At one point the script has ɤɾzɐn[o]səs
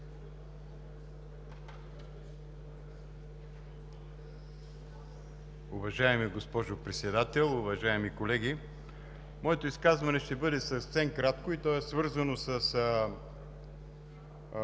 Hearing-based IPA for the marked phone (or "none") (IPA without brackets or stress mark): o